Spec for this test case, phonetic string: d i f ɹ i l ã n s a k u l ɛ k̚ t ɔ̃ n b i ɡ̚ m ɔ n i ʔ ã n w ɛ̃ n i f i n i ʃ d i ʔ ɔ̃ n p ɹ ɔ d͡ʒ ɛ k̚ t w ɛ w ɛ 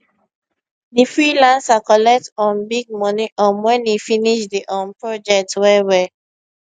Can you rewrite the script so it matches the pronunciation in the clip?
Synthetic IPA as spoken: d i f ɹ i l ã n s a k ɔ l ɛ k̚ t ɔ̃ n b i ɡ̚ m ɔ n i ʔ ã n w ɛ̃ n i f i n i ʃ d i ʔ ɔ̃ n p ɹ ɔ d͡ʒ ɛ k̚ t w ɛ w ɛ